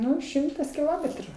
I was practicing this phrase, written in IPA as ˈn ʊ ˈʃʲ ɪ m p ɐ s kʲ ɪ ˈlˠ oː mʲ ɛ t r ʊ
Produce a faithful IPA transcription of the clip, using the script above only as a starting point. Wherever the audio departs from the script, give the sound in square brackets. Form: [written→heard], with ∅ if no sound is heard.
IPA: ˈn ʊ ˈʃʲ ɪ m [p→t] ɐ s kʲ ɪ ˈlˠ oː mʲ ɛ t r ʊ